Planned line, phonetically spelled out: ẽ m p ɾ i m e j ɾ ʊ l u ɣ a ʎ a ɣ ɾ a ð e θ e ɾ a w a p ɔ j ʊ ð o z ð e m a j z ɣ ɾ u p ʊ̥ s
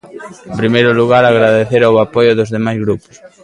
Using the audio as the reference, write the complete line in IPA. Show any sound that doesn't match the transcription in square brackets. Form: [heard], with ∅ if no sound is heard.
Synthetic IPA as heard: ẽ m p ɾ i m e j ɾ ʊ l u ɣ a [ɾ] a ɣ ɾ a ð e θ e ɾ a w a p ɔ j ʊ ð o z ð e m a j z ɣ ɾ u p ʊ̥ s

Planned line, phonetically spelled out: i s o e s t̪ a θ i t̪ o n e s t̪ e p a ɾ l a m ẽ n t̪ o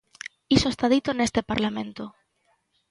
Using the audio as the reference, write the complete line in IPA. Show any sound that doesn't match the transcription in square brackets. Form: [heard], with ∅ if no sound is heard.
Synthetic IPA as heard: i s o e s t̪ a [ð] i t̪ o n e s t̪ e p a ɾ l a m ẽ n t̪ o

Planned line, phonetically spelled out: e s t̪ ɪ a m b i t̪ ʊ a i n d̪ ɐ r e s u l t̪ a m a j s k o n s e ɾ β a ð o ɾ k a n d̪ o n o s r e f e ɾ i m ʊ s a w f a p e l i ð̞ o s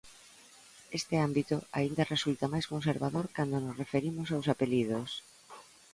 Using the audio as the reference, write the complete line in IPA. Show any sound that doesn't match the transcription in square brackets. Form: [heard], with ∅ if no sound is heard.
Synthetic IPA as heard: e s t̪ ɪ a m b i t̪ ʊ a i n d̪ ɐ r e s u l t̪ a m a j s k o n s e ɾ β a ð o ɾ k a n d̪ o n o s r e f e ɾ i m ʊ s a w [s] a p e l i ð̞ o s

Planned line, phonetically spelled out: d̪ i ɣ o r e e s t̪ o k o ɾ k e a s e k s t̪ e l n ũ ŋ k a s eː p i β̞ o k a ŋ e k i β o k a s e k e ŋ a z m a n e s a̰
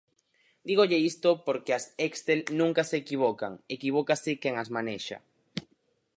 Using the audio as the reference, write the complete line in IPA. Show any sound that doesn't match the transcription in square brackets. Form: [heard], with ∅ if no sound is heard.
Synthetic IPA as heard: d̪ i ɣ o [ʎ] e [i] s t̪ o [p] o ɾ k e a s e k s t̪ e l n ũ ŋ k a s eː [k] i β̞ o k a ŋ e k i β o k a s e k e ŋ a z m a n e [ʃ] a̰

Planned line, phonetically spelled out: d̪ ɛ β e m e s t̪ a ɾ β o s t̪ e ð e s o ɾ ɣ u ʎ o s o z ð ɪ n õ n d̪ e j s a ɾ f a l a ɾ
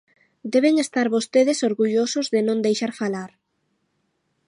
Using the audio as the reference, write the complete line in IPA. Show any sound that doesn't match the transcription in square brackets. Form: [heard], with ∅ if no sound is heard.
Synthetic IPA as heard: d̪ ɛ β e [ŋ] e s t̪ a ɾ β o s t̪ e ð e s o ɾ ɣ u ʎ o s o z ð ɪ n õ n d̪ e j [ʃ] a ɾ f a l a ɾ

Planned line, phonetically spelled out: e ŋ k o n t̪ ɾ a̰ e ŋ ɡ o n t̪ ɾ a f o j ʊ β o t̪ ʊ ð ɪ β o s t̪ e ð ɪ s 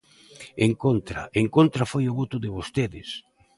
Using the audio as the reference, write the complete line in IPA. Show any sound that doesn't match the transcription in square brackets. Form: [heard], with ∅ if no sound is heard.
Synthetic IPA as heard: e ŋ k o n t̪ ɾ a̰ e ŋ [k] o n t̪ ɾ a f o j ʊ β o t̪ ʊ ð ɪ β o s t̪ e ð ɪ s

